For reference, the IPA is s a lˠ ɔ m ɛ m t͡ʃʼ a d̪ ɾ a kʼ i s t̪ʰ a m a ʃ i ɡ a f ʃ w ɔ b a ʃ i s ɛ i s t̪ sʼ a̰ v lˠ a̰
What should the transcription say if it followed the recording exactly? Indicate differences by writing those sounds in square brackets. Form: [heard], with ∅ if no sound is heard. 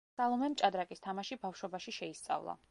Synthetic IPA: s a lˠ ɔ m ɛ m t͡ʃʼ a d̪ ɾ a kʼ i s t̪ʰ a m a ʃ i [b] a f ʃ w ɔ b a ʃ i [ʃ] ɛ i s t̪ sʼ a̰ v lˠ a̰